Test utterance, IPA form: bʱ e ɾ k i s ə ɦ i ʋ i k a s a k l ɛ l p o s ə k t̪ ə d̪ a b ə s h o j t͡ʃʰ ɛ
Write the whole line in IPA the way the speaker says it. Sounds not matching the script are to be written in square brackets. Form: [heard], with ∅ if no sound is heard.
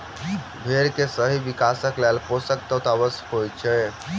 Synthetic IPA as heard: bʱ e ɾ k [e] s ə ɦ i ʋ i k a s [ə] k l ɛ l p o s ə k t̪ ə [t̪] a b ə s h o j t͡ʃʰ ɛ

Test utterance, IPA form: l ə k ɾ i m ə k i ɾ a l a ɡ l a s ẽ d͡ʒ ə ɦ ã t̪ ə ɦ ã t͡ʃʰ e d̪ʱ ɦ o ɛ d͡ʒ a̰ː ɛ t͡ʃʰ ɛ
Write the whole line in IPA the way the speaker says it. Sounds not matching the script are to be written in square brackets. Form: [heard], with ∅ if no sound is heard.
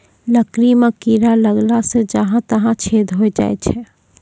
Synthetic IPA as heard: l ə k ɾ i m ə k i ɾ a l [ə] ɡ l a s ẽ d͡ʒ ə ɦ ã t̪ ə ɦ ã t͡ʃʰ e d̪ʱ ɦ o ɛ d͡ʒ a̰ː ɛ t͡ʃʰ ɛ

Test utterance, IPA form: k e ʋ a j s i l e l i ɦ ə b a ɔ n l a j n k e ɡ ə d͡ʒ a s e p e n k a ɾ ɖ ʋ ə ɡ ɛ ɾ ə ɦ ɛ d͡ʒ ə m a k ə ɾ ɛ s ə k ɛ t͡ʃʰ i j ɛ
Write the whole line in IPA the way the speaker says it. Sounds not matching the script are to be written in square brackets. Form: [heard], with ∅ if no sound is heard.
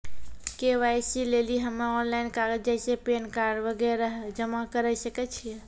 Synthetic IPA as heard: k e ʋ a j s i l e l i ɦ ə [m] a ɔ n l a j n k [a] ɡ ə d͡ʒ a s e p e n k a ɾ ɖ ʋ ə ɡ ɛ ɾ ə ɦ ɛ d͡ʒ ə m a k ə ɾ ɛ s ə k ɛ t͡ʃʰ i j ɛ

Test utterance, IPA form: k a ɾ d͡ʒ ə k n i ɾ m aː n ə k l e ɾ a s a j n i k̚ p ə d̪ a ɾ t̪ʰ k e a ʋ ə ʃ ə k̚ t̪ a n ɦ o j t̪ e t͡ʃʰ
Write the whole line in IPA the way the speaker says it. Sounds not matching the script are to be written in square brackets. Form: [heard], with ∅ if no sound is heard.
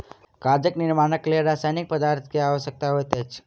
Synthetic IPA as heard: k a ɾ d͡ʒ ə k n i ɾ m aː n ə k l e ɾ a s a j n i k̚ p ə d̪ a ɾ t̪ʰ k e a ʋ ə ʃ ə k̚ t̪ a [∅] ɦ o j t̪ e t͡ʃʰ

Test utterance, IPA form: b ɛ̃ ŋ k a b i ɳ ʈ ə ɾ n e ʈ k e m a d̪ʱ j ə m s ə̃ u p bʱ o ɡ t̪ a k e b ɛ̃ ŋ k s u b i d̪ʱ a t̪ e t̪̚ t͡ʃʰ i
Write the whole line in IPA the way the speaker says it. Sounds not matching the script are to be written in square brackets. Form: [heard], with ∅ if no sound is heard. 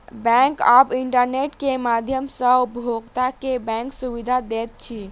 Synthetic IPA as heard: b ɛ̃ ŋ k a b i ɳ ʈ ə ɾ n e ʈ k e m a d̪ʱ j ə m s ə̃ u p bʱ o ɡ t̪ a k e b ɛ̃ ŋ k s u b i d̪ʱ a [d̪] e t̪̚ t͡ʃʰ i

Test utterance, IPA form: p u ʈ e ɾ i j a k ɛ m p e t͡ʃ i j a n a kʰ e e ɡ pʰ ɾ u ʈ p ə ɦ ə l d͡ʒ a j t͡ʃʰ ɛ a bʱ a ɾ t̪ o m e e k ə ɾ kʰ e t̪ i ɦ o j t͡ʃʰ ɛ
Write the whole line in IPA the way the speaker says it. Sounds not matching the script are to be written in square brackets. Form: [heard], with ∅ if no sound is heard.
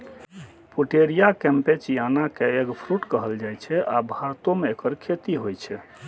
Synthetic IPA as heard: p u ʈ e ɾ i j a k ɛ m p e t͡ʃ i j a n a [k] e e ɡ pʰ ɾ u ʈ [k] ə ɦ ə l d͡ʒ a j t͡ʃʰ ɛ a bʱ a ɾ t̪ o m e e k ə ɾ kʰ e t̪ i ɦ o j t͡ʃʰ ɛ

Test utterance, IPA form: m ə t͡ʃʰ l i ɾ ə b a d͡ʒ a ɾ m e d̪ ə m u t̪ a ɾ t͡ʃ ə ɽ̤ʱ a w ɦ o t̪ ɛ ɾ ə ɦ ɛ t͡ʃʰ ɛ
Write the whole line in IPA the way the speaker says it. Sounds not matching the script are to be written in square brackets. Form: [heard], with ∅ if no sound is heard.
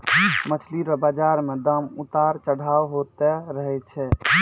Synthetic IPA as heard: m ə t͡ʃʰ l i ɾ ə b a d͡ʒ a ɾ m e d̪ ə m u t̪ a ɾ t͡ʃ ə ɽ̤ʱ a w ɦ o t̪ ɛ ɾ ə ɦ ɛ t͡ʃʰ ɛ

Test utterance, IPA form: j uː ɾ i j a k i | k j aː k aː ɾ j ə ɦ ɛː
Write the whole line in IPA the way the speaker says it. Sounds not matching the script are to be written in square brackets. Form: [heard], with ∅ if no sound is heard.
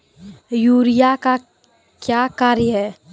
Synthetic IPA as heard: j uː ɾ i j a k [a] | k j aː k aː ɾ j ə ɦ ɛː

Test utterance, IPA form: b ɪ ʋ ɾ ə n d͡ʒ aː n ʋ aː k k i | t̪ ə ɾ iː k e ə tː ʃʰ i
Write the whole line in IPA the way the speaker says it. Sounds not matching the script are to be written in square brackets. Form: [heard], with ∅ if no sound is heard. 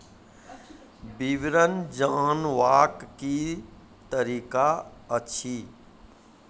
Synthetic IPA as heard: b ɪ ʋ ɾ ə n d͡ʒ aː n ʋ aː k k i | t̪ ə ɾ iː k [a] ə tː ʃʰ i

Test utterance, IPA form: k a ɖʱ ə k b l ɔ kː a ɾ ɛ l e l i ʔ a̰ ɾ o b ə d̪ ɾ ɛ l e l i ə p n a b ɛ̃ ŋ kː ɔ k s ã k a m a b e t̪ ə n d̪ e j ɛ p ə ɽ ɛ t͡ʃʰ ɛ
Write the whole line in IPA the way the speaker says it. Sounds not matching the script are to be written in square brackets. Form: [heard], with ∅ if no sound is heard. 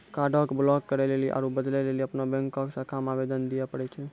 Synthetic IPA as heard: k a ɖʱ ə k b l ɔ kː [ə] ɾ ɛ l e l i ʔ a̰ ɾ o b ə d̪ [l] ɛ l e l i ə p n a b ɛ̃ ŋ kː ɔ k s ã k a m a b e [d̪] ə n d̪ [i] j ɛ p ə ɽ ɛ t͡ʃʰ ɛ

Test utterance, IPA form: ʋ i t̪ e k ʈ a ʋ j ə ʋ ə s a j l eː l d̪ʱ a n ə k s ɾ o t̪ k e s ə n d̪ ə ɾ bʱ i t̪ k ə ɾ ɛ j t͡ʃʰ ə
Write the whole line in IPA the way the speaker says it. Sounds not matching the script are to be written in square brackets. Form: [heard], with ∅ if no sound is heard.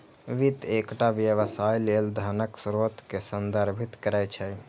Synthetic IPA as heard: ʋ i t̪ e k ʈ a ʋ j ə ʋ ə s a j l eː l d̪ʱ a n ə k s ɾ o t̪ k e s ə n d̪ ə ɾ bʱ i t̪ k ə ɾ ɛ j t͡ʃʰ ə

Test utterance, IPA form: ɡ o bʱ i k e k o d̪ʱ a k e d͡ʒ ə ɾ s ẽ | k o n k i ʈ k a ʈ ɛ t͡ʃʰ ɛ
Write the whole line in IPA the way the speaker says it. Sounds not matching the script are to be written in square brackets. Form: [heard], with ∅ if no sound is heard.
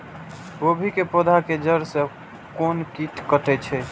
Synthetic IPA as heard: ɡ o bʱ i k e [p] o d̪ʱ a k e d͡ʒ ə ɾ s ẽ | k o n k i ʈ k [ə] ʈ ɛ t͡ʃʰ ɛ

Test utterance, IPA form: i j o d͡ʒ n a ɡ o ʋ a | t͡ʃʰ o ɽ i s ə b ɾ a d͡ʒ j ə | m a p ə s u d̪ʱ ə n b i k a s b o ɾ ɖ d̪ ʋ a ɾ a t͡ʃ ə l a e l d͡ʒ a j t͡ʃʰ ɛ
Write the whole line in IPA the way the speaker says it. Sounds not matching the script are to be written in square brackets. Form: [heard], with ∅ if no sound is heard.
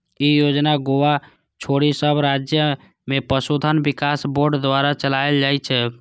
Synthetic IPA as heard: i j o d͡ʒ n a ɡ o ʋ a | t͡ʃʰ o ɽ i s ə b ɾ a d͡ʒ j ə | m [e] p ə s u d̪ʱ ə n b i k a s b o ɾ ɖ d̪ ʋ a ɾ a t͡ʃ ə l a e l d͡ʒ a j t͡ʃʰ ɛ

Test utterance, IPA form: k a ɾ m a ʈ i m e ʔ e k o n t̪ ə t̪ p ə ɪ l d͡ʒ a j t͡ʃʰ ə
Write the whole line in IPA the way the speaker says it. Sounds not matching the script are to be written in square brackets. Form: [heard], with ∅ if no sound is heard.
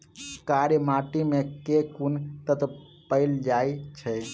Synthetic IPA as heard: k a ɾ m a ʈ i m e [k] e k [u] n t̪ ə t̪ p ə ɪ l d͡ʒ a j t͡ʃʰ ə

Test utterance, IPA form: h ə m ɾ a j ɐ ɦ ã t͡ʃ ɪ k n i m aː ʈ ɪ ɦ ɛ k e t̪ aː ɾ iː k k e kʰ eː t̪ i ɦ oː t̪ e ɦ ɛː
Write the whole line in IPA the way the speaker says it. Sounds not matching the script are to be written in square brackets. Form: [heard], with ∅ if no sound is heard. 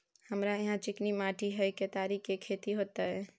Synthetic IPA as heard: h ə m ɾ a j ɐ ɦ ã t͡ʃ ɪ k n i m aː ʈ [i] ɦ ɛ k e t̪ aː ɾ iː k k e kʰ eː t̪ i ɦ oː t̪ [a] ɦ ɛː

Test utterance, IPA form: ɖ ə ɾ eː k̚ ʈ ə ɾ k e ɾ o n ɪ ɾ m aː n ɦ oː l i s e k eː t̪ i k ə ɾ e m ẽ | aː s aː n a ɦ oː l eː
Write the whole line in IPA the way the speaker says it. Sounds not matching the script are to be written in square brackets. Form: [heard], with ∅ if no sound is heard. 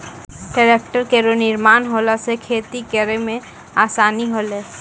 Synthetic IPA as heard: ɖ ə ɾ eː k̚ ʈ ə ɾ k e ɾ o n ɪ ɾ m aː n ɦ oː l [a] s e [kʰ] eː t̪ i k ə ɾ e m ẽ | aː s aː n [i] ɦ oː l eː

